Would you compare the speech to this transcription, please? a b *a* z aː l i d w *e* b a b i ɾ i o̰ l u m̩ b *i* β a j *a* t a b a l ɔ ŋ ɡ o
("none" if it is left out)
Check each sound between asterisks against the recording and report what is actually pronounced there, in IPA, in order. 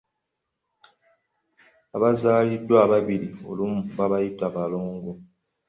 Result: a, a, a, i

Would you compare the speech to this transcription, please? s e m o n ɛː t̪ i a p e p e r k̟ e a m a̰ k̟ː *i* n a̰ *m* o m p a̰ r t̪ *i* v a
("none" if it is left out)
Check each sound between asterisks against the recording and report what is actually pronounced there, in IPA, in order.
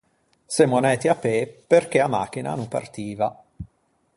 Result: i, n, iː

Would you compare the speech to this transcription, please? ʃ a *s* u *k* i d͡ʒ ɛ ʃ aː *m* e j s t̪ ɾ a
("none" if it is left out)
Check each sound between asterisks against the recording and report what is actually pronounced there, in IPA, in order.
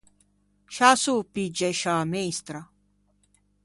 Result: s, p, m

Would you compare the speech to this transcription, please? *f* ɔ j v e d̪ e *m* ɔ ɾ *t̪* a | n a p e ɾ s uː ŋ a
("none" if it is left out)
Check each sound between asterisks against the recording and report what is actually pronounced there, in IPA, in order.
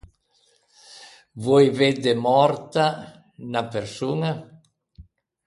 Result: v, m, t̪

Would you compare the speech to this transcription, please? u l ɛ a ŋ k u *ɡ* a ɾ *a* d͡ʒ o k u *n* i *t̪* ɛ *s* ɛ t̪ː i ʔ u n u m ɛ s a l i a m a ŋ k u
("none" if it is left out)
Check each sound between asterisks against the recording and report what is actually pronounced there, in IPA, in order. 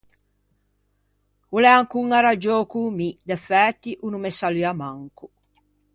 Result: ŋ, a, m, d̪, f

